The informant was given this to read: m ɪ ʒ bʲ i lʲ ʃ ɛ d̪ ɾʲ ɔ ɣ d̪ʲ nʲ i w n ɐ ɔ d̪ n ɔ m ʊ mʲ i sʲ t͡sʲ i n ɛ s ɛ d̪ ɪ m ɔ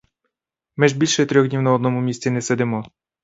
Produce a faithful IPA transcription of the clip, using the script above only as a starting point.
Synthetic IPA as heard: m ɪ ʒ bʲ i lʲ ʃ ɛ t̪ ɾʲ ɔ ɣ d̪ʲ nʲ i w n ɐ ɔ d̪ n ɔ m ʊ mʲ i sʲ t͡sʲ i n ɛ s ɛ d̪ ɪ m ɔ